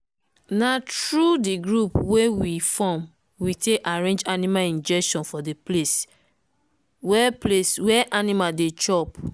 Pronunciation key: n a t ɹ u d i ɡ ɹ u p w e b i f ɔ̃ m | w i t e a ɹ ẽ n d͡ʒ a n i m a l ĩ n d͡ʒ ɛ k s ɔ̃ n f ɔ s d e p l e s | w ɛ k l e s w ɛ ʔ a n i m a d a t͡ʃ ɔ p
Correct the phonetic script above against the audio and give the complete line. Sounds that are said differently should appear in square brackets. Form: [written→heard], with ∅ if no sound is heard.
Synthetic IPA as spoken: n a t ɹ u d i ɡ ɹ u p w e [b→w] i f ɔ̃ m | w i t e a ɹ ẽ n d͡ʒ a n i m a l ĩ n d͡ʒ ɛ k [s→ʃ] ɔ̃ n f ɔ [s→∅] d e p l e s | w ɛ [k→p] l e s w ɛ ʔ a n i m a d [a→e] t͡ʃ ɔ p